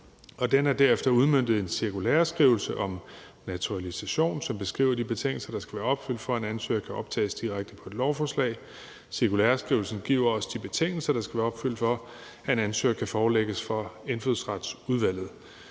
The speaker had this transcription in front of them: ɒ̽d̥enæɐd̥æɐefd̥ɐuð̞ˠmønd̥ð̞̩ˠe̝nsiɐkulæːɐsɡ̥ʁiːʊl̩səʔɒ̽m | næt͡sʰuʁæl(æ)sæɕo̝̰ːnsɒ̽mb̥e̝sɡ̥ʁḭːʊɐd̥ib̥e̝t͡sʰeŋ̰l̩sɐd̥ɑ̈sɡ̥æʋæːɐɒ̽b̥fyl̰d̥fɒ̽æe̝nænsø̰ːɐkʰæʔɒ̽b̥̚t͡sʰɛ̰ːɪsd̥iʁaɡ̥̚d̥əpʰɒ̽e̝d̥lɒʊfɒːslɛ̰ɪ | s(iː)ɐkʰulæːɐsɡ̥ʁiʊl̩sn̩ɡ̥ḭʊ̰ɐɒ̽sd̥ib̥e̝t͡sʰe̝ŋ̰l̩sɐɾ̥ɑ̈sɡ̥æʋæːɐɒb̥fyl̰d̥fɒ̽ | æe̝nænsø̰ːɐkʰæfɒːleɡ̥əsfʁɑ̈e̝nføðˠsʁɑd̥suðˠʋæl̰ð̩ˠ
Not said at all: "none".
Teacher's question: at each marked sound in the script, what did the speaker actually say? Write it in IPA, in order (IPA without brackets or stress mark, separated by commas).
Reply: i, i